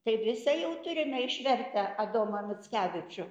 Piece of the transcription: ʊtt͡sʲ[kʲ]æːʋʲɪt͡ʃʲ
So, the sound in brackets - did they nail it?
yes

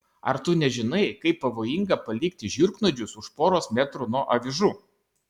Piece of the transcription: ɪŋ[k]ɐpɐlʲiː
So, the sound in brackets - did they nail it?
no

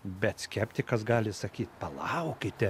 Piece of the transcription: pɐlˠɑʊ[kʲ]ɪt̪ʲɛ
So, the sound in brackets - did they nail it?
yes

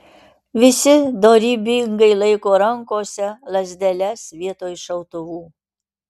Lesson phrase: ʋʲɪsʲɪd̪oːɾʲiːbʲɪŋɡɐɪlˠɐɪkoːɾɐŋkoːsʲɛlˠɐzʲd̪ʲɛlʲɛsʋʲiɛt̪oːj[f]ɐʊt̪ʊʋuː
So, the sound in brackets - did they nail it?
no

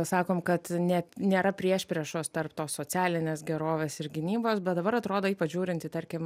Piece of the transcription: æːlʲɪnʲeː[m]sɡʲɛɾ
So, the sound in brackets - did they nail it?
no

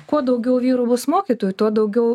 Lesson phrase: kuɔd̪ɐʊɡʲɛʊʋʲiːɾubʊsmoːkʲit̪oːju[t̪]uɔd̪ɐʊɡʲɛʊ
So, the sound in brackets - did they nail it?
yes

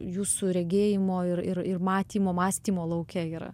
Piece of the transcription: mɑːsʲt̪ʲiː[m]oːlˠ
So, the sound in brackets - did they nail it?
yes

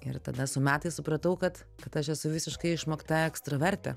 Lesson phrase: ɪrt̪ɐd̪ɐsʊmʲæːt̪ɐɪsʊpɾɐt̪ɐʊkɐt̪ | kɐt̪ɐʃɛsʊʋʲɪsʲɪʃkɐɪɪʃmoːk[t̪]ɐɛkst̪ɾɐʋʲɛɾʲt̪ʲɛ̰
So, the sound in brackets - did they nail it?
yes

